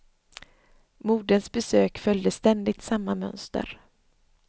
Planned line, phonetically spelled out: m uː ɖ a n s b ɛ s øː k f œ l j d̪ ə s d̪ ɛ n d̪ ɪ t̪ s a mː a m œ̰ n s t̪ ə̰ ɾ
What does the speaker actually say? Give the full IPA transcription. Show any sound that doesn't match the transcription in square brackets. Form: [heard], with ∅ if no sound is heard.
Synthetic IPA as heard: m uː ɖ [ə] n s b ɛ s øː k f œ l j d̪ ə s [t̪] ɛ n d̪ ɪ t̪ s a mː a m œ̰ n s t̪ ə̰ ɾ

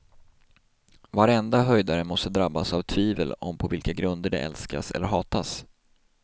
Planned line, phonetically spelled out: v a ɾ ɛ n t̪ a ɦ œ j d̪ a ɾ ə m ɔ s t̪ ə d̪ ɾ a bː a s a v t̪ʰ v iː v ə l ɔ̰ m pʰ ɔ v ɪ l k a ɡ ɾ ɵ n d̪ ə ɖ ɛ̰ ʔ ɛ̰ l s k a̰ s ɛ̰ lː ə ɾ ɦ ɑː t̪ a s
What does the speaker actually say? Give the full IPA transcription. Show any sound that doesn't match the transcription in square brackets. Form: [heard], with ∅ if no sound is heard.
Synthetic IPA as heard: v a ɾ ɛ n [d̪] a ɦ œ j d̪ a ɾ ə m ɔ s t̪ ə d̪ ɾ a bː a s a v t̪ʰ v iː v ə l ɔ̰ m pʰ ɔ v ɪ l k a ɡ ɾ ɵ n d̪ ə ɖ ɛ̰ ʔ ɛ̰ l s k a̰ s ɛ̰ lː ə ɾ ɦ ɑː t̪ a s

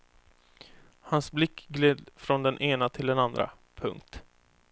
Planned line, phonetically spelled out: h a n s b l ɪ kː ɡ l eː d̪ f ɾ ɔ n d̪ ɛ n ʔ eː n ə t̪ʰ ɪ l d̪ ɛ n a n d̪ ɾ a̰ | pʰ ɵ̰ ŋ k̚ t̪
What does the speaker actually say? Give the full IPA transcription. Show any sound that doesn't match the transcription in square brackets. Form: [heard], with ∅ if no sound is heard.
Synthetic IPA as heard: h a n s b l ɪ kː ɡ l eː d̪ f ɾ ɔ n d̪ ɛ n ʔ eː n [a] t̪ʰ ɪ l d̪ ɛ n a n d̪ ɾ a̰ | pʰ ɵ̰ ŋ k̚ t̪

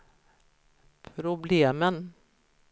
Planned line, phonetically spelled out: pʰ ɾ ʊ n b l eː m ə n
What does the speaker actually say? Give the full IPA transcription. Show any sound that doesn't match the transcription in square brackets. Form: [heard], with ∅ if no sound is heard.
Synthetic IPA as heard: pʰ ɾ ʊ [∅] b l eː m ə n

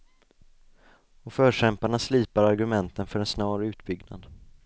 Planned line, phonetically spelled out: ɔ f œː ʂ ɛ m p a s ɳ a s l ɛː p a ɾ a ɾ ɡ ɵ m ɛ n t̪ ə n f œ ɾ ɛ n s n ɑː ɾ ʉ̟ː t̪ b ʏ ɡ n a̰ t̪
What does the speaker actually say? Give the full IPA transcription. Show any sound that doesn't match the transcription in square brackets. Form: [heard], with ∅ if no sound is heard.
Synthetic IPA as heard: ɔ f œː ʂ ɛ m p a [∅] ɳ a s l [iː] p a ɾ a ɾ ɡ ɵ m ɛ n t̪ ə n f œ ɾ ɛ n s n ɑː ɾ ʉ̟ː t̪ b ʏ ɡ n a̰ [d̪]

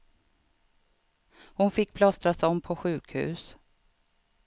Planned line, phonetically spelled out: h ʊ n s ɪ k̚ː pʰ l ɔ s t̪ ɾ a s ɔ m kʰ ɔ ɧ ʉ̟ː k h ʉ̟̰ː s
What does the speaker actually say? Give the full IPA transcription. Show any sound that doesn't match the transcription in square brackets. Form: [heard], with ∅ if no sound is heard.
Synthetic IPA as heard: h ʊ n [f] ɪ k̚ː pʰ l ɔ s t̪ ɾ a s ɔ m [pʰ] ɔ ɧ ʉ̟ː k h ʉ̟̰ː s

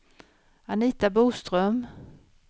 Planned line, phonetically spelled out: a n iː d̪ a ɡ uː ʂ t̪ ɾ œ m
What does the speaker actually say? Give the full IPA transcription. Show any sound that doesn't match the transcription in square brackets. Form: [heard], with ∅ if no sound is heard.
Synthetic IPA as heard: a n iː [t̪] a [b] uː [s] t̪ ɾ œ m

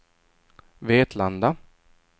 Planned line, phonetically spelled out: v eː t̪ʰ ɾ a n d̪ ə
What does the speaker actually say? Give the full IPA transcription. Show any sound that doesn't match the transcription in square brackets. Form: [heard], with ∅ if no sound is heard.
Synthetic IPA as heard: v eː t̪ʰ [l] a n d̪ [a]

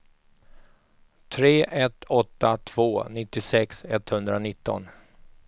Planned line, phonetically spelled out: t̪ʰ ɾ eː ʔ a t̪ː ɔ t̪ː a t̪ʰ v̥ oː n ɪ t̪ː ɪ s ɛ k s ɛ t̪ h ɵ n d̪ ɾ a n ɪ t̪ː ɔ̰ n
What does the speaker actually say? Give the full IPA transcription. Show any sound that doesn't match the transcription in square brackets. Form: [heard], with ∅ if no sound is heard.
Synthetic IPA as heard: t̪ʰ ɾ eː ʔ [ɛ] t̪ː ɔ t̪ː a t̪ʰ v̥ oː n ɪ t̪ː ɪ s ɛ k s ɛ t̪ h ɵ n d̪ ɾ a n ɪ t̪ː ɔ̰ n

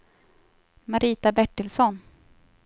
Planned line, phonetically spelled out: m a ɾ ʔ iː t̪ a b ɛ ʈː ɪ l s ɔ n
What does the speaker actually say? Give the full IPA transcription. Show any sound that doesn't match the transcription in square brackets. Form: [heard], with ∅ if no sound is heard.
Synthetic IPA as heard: m a ɾ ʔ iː t̪ a b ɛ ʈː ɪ l s ɔ n

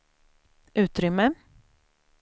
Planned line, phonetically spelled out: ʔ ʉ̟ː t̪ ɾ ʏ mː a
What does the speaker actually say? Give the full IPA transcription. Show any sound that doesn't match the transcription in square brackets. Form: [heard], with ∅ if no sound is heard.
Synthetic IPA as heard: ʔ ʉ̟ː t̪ ɾ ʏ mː [ə]

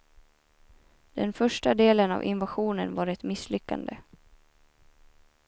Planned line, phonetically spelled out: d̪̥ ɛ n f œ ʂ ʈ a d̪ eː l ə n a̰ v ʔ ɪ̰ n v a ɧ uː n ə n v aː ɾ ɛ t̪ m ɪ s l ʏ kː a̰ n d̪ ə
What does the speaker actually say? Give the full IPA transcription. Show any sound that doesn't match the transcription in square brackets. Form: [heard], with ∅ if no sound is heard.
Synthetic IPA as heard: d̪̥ ɛ n f œ ʂ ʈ a d̪ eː l ə n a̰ v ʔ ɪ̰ n v a ɧ uː n ə n v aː ɾ ɛ t̪ m ɪ s l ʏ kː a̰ n d̪ ə

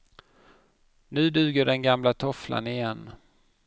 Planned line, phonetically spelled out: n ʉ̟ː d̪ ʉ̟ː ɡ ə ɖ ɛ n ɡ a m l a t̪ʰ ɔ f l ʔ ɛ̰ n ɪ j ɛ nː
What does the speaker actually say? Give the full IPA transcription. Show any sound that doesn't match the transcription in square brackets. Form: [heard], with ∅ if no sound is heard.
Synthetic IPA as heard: n ʉ̟ː d̪ ʉ̟ː ɡ ə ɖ ɛ n ɡ a m l a t̪ʰ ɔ f l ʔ [a̰] n ɪ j ɛ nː

